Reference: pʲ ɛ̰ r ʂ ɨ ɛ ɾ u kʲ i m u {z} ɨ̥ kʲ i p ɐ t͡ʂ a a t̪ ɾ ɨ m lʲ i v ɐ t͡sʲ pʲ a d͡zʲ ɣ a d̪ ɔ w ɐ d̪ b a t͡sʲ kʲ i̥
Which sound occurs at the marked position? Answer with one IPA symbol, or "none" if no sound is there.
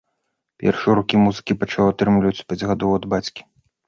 z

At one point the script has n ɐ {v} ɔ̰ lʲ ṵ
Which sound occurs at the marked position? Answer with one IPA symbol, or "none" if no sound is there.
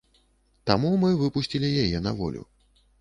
v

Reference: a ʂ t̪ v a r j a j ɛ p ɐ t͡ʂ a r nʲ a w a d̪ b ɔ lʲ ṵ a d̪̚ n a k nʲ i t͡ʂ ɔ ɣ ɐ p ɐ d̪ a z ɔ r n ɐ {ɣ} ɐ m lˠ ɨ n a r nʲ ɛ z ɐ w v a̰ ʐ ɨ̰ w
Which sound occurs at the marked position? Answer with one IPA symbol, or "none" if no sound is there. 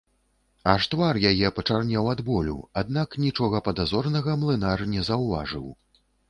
ɣ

